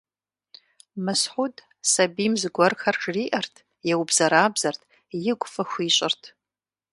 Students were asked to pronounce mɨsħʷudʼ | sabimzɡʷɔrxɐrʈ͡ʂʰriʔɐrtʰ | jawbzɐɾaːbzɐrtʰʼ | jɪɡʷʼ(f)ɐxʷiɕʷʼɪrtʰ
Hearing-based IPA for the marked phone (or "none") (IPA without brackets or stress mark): f